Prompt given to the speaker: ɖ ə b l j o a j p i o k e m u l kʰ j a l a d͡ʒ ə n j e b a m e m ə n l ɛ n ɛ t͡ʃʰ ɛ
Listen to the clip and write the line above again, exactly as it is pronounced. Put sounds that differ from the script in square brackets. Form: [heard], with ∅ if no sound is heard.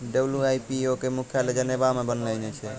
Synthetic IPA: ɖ ə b l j [u] a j p i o k e m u [∅] kʰ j a l [e] d͡ʒ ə n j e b a m e [b] ə n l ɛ n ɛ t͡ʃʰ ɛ